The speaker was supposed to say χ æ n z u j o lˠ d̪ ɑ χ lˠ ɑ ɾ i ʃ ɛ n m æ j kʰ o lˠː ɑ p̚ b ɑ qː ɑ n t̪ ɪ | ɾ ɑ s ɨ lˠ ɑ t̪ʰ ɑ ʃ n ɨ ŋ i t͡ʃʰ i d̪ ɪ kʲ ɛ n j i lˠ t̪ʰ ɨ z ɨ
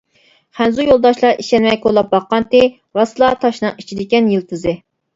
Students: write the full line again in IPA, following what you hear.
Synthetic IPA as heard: χ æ n z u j o lˠ d̪ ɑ ʃ lˠ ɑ ɾ i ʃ ɛ n m ɛ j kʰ o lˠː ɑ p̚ b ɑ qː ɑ n t̪ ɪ | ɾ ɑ s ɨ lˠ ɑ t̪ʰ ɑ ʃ n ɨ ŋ i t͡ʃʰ i d̪ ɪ kʲ ɛ n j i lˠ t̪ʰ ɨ z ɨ